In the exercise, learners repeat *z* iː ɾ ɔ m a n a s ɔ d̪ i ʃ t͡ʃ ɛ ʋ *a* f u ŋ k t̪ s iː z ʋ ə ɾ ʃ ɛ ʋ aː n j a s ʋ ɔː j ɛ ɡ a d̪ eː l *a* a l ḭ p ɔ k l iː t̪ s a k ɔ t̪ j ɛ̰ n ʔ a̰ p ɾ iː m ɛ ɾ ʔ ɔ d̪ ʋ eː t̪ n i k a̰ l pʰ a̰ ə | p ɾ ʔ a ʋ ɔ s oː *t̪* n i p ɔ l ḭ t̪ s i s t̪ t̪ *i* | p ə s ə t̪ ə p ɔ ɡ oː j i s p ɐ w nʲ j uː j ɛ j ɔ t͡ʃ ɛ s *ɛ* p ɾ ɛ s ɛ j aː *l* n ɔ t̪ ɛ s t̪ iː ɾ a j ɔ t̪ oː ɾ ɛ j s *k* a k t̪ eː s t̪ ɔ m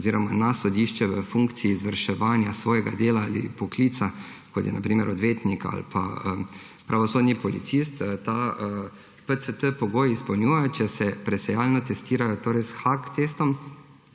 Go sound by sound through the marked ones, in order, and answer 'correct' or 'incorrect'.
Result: correct, incorrect: ə, correct, incorrect: d̪, incorrect: a, correct, correct, incorrect: x

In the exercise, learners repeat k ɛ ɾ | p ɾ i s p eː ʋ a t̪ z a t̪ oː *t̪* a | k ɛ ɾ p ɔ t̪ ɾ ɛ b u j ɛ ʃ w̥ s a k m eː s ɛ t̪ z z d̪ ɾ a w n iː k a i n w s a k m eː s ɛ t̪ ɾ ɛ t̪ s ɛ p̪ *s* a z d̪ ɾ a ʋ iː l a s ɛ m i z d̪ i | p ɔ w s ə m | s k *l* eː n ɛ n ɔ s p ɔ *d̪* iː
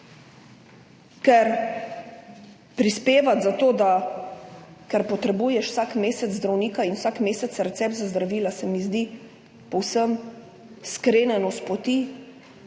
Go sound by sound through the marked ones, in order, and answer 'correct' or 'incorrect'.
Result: incorrect: d̪, incorrect: z, incorrect: ɾ, incorrect: t̪

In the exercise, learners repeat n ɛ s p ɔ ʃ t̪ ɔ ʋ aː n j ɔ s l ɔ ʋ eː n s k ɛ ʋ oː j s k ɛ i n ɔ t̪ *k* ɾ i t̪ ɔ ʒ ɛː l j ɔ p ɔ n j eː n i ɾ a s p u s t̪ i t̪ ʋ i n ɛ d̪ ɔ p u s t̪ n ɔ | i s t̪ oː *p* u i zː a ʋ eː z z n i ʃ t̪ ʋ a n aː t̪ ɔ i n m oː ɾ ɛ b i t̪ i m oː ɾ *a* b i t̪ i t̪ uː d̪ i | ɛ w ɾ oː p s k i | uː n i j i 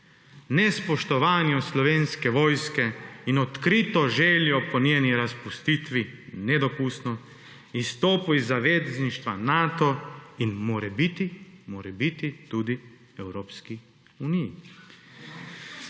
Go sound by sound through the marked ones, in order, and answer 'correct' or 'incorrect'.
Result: correct, correct, incorrect: ɛ

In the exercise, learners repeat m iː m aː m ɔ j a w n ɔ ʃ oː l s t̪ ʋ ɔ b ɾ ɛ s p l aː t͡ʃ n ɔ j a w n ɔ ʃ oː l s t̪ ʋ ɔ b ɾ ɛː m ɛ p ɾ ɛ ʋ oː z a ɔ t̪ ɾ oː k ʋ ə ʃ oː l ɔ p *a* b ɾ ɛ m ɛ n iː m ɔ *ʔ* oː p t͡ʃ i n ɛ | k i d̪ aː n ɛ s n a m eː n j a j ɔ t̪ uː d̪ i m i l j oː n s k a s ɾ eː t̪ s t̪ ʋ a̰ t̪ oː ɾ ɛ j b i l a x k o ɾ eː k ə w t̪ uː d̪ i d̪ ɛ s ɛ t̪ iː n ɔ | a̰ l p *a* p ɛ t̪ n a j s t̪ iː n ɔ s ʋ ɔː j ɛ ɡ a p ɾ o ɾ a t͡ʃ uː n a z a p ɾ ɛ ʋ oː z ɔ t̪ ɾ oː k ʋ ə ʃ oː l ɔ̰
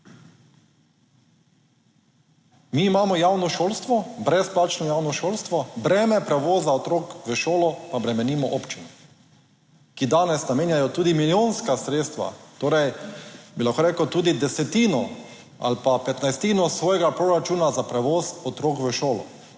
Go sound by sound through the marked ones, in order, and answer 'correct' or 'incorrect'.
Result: correct, correct, correct

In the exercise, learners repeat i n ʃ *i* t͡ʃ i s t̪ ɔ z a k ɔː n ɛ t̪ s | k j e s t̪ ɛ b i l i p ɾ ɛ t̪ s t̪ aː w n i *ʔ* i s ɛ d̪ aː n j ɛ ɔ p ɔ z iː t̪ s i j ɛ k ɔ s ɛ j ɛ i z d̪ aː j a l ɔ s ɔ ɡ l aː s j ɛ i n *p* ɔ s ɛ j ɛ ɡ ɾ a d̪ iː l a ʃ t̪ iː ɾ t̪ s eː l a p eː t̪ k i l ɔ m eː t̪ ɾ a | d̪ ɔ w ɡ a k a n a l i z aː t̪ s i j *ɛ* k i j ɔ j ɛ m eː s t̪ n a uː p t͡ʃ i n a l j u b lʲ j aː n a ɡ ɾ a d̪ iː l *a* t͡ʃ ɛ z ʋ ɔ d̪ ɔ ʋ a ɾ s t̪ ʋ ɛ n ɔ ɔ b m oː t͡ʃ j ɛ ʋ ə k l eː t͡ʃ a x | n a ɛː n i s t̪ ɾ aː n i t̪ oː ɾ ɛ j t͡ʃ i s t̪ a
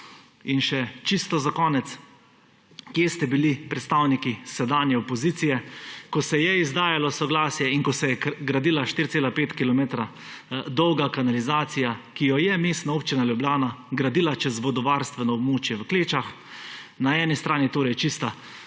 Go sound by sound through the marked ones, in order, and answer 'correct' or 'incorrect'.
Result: incorrect: ɛ, incorrect: k, incorrect: k, incorrect: a, correct

